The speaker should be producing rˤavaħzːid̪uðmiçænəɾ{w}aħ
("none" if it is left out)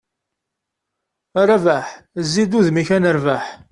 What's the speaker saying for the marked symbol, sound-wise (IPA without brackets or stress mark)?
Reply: v